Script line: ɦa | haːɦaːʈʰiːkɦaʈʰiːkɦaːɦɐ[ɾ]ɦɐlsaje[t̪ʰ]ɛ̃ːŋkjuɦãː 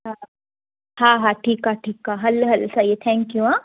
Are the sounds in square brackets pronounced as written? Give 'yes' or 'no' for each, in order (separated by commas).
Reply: no, yes